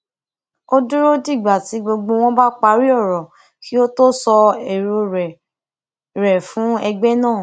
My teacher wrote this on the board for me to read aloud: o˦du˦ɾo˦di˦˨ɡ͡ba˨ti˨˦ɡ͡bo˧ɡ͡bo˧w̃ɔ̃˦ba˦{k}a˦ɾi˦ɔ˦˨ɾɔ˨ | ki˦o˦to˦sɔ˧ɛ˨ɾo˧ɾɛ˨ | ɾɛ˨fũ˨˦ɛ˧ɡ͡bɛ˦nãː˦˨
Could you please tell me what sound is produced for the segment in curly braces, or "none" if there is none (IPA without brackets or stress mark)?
k͡p